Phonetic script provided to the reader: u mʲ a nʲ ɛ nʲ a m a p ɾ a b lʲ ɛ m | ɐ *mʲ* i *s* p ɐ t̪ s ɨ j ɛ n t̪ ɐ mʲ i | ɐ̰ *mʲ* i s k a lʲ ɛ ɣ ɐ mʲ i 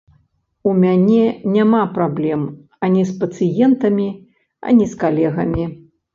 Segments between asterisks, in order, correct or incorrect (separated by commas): incorrect, correct, incorrect